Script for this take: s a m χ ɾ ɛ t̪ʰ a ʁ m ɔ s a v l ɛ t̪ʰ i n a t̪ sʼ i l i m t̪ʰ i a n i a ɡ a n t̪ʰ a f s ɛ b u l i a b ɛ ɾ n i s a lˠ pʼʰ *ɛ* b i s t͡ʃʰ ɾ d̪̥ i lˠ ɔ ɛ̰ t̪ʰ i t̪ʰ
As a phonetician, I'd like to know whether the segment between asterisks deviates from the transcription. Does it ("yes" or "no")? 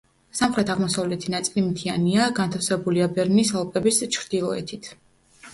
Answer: no